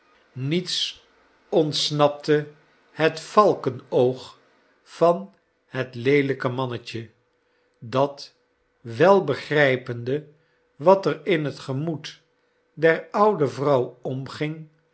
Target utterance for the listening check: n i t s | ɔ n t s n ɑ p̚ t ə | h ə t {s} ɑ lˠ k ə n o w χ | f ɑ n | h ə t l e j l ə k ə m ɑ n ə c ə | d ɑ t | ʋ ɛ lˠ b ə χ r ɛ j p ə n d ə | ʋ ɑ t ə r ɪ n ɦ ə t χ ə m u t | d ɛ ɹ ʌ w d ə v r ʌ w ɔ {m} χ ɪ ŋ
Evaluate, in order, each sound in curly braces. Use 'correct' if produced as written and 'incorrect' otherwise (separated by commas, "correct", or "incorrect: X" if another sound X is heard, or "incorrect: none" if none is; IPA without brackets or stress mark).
incorrect: f, correct